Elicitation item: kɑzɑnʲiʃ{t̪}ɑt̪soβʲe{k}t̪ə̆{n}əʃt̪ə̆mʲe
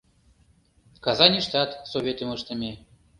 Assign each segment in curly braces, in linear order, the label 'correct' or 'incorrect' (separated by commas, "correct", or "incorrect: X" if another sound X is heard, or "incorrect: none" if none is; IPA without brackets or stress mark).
correct, incorrect: none, incorrect: m